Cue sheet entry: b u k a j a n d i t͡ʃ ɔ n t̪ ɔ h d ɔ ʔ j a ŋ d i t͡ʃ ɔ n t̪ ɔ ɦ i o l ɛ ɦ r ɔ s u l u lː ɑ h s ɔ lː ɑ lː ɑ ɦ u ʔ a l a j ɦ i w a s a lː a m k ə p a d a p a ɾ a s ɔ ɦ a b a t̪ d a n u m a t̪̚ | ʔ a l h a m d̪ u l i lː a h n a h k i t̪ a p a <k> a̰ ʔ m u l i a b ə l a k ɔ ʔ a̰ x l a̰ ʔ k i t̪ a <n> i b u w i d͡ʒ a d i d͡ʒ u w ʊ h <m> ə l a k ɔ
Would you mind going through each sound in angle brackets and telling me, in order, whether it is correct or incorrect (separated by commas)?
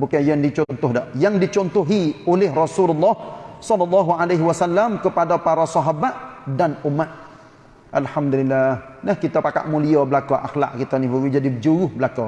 correct, correct, incorrect